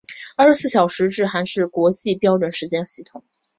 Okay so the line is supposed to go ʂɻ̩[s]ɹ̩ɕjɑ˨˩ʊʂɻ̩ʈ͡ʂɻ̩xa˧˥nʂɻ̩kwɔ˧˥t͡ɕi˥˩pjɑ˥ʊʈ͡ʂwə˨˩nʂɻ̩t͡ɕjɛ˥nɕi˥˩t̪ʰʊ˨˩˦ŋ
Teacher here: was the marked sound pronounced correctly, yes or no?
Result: yes